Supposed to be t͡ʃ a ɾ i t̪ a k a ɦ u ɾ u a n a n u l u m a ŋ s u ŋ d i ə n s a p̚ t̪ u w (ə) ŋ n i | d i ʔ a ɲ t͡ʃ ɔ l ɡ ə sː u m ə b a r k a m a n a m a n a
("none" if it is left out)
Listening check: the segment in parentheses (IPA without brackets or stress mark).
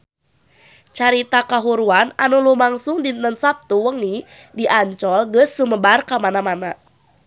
ə